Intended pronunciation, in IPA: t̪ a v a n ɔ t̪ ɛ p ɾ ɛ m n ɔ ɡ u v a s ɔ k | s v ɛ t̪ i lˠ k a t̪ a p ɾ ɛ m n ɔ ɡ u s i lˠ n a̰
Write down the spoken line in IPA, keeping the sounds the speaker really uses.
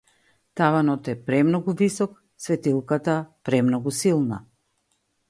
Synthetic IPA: t̪ a v a n ɔ t̪ ɛ p ɾ ɛ m n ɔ ɡ u v i s ɔ k | s v ɛ t̪ i lˠ k a t̪ a p ɾ ɛ m n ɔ ɡ u s i lˠ n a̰